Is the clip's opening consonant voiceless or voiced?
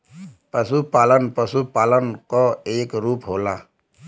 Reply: voiceless